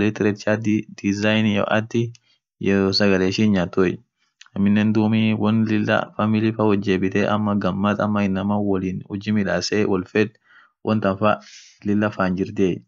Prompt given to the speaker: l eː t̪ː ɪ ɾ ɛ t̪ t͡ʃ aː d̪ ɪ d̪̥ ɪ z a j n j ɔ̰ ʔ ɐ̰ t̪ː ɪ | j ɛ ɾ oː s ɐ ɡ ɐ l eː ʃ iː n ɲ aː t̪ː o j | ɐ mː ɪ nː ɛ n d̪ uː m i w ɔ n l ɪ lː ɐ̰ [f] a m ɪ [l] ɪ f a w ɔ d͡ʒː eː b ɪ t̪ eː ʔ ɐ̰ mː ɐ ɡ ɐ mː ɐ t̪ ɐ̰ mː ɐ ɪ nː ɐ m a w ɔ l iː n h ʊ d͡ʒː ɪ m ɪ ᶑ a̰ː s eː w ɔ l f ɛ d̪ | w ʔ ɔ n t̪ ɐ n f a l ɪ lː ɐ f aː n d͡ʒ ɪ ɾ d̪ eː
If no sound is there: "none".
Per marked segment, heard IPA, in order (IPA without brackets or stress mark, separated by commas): f, l